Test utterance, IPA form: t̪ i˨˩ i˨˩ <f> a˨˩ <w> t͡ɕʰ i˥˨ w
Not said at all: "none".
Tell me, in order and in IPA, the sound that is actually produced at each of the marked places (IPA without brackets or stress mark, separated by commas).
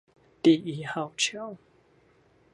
h, w